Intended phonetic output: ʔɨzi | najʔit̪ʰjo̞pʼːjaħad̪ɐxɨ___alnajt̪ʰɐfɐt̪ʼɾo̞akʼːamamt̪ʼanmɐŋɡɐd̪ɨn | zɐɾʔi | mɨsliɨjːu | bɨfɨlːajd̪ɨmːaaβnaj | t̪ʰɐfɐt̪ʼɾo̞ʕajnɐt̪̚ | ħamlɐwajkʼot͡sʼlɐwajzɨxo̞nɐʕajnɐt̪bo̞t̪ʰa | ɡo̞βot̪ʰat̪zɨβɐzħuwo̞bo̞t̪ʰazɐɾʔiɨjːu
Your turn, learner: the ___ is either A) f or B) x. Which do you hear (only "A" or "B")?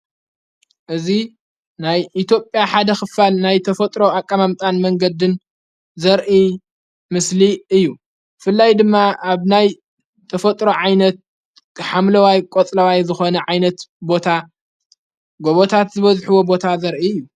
A